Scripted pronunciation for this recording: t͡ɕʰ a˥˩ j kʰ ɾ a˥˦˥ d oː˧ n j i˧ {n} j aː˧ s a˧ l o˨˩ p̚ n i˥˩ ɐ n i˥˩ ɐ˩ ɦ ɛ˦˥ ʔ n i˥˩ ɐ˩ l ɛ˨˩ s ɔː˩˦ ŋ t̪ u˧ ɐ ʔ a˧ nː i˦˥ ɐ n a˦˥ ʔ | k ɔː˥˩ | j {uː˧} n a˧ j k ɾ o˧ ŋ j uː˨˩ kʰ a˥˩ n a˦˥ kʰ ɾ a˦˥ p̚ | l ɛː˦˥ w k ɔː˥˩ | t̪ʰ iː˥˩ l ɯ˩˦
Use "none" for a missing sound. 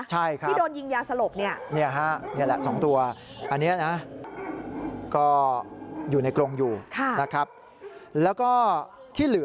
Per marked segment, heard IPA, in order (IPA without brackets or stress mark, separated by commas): ŋ, uː˨˩